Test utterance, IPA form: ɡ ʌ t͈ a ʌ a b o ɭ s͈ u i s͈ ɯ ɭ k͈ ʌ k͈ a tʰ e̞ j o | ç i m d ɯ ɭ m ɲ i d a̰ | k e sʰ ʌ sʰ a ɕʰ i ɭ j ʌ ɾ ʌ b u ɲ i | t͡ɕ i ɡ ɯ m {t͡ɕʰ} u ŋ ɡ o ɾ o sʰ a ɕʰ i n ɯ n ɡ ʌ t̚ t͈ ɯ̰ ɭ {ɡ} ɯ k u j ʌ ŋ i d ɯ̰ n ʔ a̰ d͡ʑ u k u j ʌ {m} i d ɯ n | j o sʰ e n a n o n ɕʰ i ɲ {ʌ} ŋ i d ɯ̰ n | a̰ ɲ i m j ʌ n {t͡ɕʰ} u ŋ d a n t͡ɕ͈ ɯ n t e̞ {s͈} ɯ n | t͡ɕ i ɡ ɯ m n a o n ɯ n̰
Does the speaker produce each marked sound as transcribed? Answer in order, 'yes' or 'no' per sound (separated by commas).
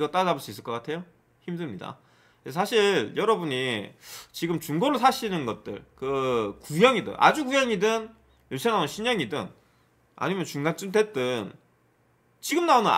no, no, no, yes, no, no